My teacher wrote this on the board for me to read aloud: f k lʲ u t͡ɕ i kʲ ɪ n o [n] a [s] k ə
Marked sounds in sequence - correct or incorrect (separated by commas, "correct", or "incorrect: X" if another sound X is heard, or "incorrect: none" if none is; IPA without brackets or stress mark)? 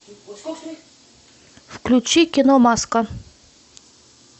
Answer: incorrect: m, correct